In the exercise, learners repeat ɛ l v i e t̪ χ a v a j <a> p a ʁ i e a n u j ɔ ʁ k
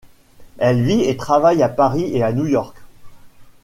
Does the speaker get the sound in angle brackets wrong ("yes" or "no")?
no